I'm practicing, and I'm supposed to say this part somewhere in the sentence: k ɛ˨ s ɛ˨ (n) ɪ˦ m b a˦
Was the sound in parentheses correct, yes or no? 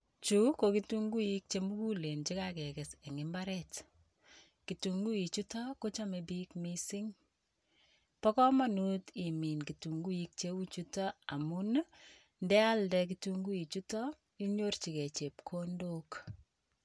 no